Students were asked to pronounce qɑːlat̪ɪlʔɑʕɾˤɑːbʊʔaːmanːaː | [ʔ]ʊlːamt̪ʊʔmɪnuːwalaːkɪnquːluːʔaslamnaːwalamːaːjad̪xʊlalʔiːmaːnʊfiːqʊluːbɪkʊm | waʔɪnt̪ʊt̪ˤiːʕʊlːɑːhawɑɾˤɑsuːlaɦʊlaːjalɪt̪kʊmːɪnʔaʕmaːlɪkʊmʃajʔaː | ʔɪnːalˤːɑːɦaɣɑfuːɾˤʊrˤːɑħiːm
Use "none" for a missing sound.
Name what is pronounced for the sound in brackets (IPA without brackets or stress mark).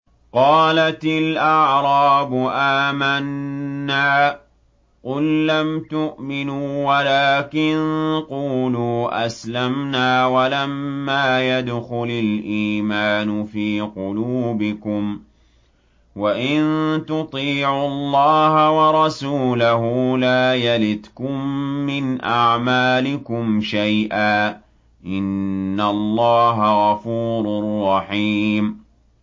q